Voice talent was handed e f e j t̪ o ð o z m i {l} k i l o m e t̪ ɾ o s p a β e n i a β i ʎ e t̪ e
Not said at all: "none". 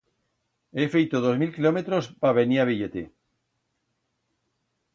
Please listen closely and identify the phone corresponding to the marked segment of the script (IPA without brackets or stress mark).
l